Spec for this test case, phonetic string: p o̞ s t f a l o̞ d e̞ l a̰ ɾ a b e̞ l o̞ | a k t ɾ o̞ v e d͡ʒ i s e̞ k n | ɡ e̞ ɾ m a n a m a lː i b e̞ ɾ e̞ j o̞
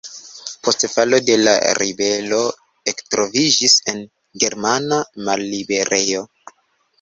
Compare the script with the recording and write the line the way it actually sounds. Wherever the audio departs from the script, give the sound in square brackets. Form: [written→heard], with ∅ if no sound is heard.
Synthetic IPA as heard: p o̞ s t f a l o̞ d e̞ l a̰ ɾ [a→i] b e̞ l o̞ | [a→e] k t ɾ o̞ v [e→i] d͡ʒ i s e̞ [k→∅] n | ɡ e̞ ɾ m a n a m a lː i b e̞ ɾ e̞ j o̞